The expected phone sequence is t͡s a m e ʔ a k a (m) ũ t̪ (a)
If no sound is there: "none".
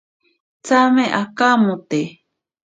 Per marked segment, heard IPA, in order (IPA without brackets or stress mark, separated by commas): m, e